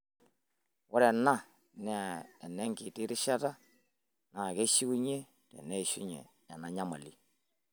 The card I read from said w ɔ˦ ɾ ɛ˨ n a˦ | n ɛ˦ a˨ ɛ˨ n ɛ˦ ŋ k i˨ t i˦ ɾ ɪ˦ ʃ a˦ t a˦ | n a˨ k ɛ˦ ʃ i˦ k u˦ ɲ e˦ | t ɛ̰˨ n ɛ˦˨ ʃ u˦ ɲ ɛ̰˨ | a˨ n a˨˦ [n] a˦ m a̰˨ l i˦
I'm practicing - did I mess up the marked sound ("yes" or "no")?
yes